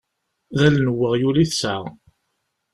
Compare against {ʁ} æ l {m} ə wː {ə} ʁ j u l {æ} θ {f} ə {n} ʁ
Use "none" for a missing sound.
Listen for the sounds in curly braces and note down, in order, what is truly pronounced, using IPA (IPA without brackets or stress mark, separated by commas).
ð, n, ə, i, s, none